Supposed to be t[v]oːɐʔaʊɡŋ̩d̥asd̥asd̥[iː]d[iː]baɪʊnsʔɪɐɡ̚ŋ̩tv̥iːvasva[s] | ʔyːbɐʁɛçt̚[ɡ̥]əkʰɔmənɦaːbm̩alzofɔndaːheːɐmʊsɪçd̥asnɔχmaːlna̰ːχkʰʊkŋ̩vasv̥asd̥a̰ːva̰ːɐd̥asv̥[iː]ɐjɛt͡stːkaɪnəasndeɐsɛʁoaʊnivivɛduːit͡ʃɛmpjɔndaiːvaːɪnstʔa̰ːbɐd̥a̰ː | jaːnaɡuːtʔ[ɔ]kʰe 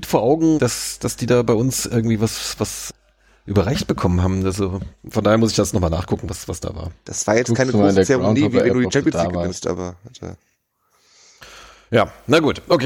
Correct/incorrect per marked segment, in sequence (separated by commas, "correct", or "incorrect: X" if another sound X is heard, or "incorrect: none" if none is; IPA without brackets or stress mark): incorrect: f, correct, incorrect: aː, correct, incorrect: b̥, incorrect: aː, incorrect: o